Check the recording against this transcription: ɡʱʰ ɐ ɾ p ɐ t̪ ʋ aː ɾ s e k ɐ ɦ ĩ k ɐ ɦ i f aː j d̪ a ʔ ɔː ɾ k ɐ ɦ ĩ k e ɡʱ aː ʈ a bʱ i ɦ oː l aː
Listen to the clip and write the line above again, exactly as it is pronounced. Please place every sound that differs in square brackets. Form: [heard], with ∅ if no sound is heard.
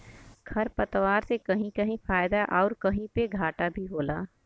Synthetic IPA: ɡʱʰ ɐ ɾ p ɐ t̪ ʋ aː ɾ s e k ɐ ɦ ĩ k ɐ ɦ [ĩ] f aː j d̪ a ʔ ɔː ɾ k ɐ ɦ ĩ [p] e ɡʱ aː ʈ a bʱ i ɦ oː l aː